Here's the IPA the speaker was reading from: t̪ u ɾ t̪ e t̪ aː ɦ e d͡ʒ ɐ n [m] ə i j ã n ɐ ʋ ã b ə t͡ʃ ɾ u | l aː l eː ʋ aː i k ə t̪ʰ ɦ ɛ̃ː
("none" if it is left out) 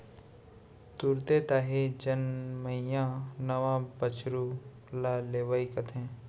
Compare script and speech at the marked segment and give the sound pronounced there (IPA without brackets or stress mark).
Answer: m